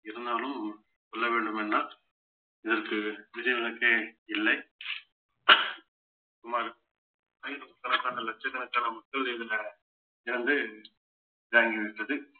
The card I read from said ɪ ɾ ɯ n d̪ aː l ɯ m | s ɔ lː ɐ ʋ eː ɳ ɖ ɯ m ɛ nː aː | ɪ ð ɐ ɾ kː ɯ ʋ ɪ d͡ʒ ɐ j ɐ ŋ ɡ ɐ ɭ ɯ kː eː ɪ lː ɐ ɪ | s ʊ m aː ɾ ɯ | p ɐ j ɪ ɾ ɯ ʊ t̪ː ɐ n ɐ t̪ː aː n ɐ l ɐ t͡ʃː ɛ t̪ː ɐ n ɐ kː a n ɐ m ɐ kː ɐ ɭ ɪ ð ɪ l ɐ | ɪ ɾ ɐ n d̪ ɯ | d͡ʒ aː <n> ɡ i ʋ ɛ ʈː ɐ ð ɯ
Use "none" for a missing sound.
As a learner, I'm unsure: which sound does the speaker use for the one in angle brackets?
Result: ŋ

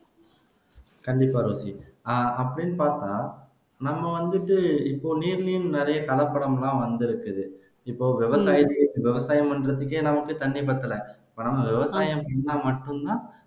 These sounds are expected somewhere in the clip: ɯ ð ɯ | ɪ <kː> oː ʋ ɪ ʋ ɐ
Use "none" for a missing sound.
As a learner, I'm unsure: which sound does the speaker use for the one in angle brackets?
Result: pː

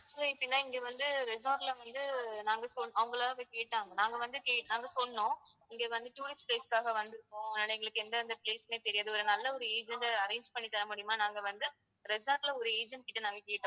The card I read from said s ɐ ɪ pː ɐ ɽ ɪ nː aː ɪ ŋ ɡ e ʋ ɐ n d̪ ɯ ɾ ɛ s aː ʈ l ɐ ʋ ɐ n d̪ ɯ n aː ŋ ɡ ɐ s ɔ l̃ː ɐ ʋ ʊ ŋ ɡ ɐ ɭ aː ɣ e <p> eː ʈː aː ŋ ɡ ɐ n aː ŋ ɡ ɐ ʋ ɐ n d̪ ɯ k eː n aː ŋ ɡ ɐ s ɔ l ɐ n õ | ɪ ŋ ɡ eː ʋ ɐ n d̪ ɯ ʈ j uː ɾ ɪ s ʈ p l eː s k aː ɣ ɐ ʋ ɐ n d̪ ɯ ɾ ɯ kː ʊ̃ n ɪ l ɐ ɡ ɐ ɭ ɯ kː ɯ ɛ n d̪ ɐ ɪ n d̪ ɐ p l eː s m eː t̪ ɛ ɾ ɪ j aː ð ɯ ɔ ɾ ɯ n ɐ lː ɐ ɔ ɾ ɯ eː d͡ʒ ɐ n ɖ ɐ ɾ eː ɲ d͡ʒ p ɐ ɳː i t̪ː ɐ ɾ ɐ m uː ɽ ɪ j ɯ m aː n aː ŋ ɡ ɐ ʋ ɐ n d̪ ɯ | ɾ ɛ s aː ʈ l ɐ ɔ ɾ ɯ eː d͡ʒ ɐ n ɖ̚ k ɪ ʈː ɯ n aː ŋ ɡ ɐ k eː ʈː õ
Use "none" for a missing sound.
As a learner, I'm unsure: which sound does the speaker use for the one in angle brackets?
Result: k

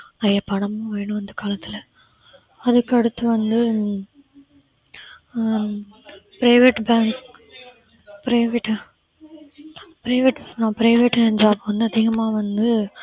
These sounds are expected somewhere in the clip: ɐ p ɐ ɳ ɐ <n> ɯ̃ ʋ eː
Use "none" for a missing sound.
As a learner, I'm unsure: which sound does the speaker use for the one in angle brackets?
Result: m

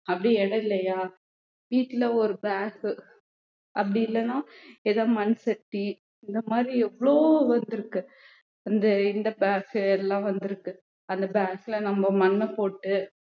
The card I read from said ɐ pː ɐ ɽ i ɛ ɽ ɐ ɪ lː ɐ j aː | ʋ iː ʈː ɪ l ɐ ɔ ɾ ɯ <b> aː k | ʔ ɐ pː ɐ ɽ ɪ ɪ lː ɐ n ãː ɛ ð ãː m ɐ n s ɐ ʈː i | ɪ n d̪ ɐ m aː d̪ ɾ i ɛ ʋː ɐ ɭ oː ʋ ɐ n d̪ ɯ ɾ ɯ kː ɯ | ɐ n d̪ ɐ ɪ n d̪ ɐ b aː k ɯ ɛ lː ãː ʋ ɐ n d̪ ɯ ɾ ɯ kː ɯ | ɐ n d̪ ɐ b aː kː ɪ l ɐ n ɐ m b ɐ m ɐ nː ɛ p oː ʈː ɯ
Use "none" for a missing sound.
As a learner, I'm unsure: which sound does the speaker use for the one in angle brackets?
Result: b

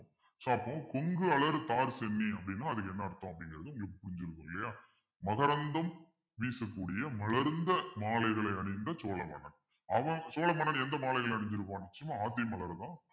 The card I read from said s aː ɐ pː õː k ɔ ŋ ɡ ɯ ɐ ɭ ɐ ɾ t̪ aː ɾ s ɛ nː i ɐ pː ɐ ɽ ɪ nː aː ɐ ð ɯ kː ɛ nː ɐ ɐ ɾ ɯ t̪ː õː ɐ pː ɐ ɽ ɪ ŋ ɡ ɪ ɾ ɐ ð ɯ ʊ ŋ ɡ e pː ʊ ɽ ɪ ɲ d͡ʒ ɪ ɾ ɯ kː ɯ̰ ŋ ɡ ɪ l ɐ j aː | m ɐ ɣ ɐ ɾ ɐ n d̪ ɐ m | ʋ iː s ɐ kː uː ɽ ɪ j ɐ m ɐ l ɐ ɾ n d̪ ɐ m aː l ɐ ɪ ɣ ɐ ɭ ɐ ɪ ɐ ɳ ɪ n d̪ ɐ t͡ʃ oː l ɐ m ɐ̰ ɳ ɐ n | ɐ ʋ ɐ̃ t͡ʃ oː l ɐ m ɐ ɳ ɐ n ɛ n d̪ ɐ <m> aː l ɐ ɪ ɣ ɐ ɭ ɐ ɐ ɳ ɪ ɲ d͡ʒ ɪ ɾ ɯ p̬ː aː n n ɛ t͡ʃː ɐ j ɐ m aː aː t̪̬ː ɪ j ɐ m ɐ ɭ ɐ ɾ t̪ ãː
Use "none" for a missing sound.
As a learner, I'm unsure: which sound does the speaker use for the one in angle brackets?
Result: m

